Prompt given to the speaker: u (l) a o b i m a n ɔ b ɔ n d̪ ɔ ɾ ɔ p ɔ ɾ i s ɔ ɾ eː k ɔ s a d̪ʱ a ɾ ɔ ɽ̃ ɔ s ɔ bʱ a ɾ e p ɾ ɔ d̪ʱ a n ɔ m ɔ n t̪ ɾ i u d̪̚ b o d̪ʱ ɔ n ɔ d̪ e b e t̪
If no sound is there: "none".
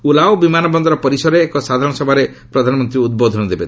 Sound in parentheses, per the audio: l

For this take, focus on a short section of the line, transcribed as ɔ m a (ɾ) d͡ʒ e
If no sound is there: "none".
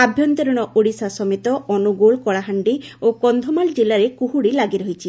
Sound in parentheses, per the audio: l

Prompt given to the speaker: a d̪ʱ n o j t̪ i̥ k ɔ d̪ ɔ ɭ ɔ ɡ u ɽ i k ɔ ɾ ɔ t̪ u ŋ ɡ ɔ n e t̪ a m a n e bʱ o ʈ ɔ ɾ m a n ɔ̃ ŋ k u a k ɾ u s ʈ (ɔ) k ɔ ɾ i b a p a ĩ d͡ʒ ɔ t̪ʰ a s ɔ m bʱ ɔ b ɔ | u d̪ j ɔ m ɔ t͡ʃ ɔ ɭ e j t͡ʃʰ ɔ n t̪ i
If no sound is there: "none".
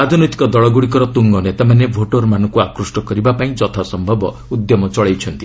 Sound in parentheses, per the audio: ɔ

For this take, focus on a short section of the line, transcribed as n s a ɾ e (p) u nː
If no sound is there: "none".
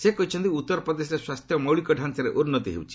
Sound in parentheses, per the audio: ʔ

